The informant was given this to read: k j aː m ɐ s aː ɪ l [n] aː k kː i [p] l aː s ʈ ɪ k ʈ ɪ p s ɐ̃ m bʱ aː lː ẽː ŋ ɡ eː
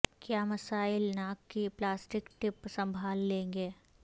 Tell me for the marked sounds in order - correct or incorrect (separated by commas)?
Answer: correct, correct